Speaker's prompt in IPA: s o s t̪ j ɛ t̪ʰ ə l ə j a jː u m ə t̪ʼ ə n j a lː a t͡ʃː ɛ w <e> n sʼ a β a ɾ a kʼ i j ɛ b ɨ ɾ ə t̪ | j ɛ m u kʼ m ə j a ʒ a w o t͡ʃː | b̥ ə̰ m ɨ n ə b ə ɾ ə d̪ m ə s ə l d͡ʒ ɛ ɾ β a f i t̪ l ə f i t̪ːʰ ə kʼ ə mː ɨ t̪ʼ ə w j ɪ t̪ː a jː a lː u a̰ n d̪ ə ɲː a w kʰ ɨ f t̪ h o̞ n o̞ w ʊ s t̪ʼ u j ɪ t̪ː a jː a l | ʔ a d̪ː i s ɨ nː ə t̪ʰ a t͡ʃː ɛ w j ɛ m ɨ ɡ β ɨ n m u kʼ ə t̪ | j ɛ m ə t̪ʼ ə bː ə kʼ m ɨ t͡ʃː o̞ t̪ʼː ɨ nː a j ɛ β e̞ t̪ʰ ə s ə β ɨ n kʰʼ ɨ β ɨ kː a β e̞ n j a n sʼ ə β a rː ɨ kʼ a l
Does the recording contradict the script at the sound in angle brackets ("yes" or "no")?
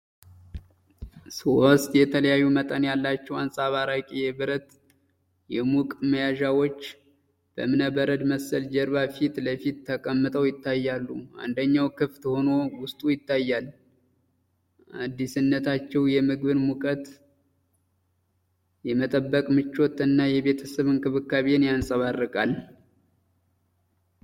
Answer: yes